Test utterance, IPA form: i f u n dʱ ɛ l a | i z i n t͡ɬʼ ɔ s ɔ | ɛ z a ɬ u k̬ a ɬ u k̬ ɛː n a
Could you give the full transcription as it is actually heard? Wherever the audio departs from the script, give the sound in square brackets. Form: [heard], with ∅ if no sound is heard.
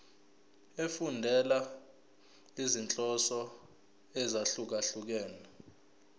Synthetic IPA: [e] f u n dʱ ɛ l a | i z i n t͡ɬʼ ɔ s ɔ | ɛ z a ɬ u k̬ a ɬ u k̬ ɛː n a